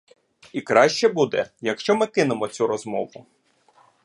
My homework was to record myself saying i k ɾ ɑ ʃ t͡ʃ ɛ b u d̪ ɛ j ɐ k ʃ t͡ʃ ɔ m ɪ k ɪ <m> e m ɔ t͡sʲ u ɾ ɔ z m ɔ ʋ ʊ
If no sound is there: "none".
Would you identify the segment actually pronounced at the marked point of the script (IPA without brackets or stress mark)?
n